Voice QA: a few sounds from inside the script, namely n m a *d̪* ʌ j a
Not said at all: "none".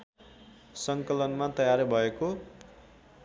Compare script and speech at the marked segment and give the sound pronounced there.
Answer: t̪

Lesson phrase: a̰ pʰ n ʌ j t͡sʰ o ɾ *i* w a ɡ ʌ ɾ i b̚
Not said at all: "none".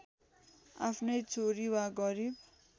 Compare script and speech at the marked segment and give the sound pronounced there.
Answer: i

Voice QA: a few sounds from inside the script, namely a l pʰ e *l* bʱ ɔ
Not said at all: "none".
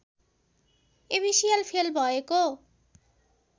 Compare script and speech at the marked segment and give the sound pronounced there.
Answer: l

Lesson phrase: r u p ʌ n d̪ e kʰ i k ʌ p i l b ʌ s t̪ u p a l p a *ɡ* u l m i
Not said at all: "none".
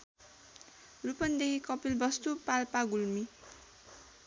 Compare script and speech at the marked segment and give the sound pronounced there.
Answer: ɡ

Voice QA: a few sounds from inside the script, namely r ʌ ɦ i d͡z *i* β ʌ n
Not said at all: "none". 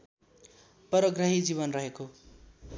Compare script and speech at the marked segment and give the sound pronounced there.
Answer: i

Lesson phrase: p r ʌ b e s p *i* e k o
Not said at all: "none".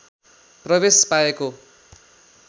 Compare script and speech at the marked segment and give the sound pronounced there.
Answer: a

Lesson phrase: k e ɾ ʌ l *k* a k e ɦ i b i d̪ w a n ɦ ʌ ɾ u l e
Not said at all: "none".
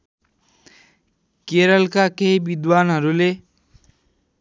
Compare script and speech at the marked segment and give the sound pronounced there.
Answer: k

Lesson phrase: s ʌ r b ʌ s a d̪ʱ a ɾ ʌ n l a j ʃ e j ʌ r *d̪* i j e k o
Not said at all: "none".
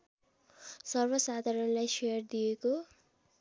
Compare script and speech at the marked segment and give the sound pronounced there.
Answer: d̪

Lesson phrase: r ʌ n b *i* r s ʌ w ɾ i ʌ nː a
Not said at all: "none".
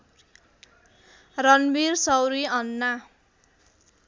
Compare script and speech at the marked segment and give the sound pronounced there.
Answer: i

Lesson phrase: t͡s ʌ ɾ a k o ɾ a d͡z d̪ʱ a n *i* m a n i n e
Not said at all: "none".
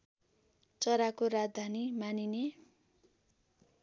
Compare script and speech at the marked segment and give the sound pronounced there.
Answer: i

